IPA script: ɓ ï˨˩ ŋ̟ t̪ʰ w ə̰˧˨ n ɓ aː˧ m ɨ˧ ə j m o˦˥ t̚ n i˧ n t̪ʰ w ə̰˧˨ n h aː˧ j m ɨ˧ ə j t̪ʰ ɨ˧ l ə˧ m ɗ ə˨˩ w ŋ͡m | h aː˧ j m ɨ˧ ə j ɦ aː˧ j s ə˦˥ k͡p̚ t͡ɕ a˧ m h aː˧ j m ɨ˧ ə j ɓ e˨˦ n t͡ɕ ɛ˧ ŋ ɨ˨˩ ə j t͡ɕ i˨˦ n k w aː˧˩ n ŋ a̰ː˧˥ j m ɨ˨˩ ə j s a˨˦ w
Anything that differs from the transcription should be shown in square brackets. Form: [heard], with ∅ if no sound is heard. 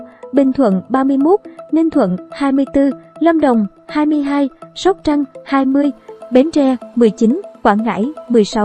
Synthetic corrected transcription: ɓ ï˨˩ ŋ̟ t̪ʰ w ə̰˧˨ n ɓ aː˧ m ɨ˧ ə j m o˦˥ t̚ n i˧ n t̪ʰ w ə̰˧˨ n h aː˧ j m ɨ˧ ə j [t̪] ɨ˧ l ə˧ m ɗ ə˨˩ w ŋ͡m | h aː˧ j m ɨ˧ ə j ɦ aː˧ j s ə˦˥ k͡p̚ t͡ɕ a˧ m h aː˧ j m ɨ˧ ə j ɓ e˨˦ n t͡ɕ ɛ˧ [m] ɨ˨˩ ə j t͡ɕ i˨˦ n k w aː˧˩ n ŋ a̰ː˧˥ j m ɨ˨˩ ə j s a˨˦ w